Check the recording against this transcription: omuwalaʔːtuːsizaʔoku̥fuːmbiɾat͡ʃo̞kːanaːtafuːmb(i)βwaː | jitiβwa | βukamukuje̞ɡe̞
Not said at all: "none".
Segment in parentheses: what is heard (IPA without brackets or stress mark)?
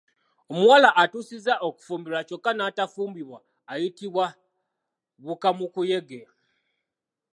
i